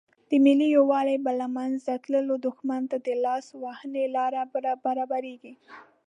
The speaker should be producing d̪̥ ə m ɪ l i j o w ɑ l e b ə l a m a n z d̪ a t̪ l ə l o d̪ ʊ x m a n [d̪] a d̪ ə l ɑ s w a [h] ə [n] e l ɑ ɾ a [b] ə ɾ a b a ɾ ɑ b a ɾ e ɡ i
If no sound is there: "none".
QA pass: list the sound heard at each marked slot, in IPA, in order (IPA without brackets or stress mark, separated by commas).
t̪, h, n, b